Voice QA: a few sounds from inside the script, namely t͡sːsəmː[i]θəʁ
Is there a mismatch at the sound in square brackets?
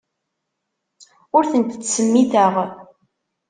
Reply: no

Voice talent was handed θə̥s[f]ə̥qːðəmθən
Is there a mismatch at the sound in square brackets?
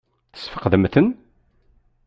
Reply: no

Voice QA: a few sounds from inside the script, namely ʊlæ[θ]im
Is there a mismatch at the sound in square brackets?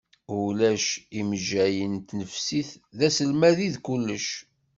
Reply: yes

